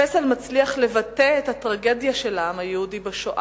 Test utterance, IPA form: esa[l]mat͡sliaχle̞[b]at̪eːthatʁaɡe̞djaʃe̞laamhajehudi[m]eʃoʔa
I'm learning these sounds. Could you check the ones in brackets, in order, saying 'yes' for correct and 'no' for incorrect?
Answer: yes, no, no

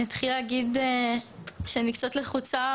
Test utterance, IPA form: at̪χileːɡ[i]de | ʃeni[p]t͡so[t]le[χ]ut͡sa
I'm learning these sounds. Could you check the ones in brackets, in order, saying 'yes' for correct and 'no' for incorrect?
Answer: yes, no, yes, yes

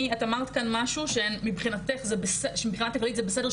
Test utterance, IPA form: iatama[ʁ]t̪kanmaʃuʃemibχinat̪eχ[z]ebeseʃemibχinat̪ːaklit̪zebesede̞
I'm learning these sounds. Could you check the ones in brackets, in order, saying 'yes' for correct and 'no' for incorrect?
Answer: yes, yes

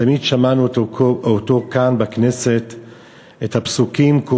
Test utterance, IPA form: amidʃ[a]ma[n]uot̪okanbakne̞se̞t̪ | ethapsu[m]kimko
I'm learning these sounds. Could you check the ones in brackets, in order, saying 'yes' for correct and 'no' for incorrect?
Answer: yes, yes, no

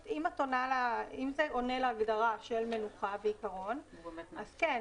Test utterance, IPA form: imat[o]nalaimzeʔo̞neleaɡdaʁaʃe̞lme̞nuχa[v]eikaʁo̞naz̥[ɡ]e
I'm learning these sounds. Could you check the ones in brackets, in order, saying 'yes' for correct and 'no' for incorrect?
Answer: yes, yes, no

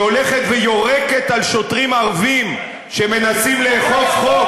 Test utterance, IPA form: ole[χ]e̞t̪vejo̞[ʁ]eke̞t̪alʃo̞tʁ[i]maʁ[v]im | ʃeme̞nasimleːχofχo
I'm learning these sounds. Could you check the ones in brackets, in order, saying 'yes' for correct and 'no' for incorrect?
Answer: yes, yes, yes, yes

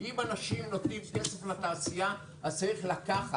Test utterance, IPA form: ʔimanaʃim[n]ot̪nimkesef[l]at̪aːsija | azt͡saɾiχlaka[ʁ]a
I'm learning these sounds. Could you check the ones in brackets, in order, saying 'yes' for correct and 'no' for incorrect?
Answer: yes, yes, no

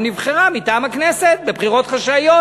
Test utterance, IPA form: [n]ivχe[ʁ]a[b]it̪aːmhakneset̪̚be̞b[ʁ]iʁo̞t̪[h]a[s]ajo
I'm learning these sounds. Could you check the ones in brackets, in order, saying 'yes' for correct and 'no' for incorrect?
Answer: yes, yes, no, no, no, no

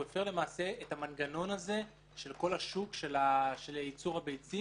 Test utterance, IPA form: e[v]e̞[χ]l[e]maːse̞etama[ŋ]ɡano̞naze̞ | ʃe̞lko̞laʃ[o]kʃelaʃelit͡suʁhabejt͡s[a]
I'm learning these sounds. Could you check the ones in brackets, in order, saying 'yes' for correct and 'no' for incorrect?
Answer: no, no, yes, no, no, no

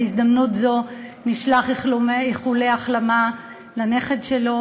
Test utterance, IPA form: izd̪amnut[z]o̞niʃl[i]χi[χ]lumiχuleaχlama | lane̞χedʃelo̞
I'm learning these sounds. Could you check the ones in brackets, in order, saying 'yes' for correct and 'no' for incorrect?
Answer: yes, no, yes

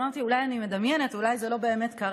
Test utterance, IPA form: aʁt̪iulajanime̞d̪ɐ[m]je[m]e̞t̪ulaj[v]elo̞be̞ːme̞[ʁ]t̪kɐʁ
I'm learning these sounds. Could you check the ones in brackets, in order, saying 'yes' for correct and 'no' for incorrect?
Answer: yes, no, no, no

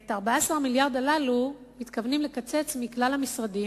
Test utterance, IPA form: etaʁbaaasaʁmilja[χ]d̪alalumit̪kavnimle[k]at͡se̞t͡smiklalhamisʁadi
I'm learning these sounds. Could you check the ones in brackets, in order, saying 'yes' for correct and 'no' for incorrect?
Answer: no, yes

